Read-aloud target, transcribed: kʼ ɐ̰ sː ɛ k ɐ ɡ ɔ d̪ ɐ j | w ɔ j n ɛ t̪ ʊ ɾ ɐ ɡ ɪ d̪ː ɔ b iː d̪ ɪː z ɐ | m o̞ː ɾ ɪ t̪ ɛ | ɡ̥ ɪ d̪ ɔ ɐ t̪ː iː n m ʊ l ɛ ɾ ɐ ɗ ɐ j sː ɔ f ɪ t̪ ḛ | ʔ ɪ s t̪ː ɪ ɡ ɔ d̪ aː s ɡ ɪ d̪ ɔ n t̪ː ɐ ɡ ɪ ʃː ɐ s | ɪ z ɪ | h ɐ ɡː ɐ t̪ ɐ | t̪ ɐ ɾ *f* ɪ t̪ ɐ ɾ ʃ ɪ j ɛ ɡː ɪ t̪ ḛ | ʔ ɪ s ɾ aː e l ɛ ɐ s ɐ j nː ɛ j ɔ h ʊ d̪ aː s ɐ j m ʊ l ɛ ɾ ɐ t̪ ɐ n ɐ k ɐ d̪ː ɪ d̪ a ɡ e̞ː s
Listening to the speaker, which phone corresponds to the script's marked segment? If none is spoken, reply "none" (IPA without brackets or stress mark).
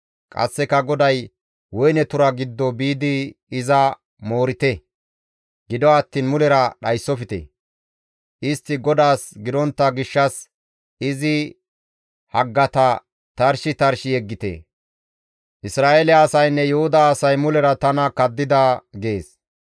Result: ʃ